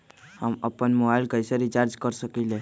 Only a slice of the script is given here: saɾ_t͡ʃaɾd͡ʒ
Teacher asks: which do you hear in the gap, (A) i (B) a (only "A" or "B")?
A